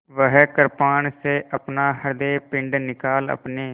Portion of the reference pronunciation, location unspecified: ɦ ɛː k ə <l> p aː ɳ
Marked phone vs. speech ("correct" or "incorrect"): incorrect